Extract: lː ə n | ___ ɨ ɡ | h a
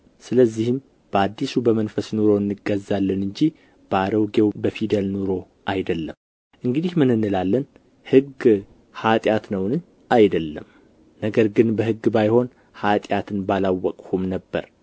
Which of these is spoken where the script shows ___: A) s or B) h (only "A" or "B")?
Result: B